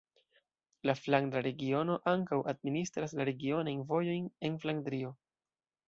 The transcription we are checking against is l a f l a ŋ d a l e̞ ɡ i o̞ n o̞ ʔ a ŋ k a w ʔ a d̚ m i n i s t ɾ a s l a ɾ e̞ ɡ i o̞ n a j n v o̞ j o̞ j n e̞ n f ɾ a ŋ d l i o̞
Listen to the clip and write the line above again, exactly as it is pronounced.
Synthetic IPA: l a f l a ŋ d a ɾ e̞ ɡ i o̞ n o̞ ʔ a ŋ k a w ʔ a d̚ m i n i s t ɾ a s l a ɾ e̞ ɡ i o̞ n a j n v o̞ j o̞ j n e̞ n f l a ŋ d ɾ i o̞